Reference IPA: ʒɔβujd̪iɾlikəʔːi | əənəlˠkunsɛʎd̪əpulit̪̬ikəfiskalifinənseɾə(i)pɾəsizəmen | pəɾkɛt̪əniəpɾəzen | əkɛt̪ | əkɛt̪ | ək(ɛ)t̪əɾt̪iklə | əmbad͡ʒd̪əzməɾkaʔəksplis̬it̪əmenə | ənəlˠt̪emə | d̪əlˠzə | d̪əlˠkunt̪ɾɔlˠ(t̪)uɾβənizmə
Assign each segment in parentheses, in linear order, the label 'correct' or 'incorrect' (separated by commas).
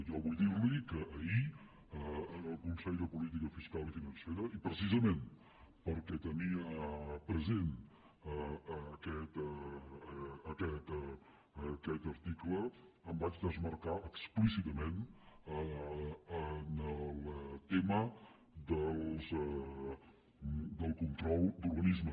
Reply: correct, correct, incorrect